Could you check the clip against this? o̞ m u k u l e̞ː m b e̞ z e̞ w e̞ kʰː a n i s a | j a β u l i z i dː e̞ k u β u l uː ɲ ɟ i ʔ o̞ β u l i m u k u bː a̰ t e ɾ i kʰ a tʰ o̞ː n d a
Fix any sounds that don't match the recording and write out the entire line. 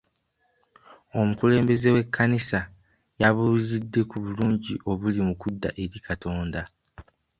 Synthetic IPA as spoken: o̞ m u k u l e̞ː m b e̞ z e̞ w e̞ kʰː a n i s a | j a β u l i z i dː e̞ k u β u l uː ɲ ɟ i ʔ o̞ β u l i m u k u dː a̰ ʔ e ɾ i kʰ a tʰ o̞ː n d a